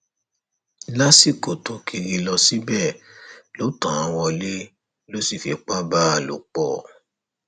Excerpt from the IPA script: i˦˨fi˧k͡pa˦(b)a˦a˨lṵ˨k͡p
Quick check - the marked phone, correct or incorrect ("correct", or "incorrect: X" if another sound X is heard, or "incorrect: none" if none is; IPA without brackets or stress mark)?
correct